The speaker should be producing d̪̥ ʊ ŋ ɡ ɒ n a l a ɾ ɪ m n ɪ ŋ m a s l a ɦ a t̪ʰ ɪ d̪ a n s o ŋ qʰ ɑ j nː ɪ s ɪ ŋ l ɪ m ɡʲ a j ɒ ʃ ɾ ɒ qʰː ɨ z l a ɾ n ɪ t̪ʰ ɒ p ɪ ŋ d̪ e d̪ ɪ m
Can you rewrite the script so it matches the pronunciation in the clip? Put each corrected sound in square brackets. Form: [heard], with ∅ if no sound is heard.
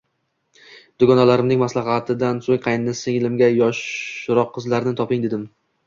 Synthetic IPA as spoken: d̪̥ ʊ [∅] ɡ ɒ n a l a ɾ ɪ m n ɪ ŋ m a s l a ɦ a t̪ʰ ɪ d̪ a n s o ŋ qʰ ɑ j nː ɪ s ɪ ŋ l ɪ m ɡʲ a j ɒ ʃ ɾ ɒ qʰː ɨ z l a ɾ n ɪ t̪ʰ ɒ p ɪ ŋ d̪ e d̪ ɪ m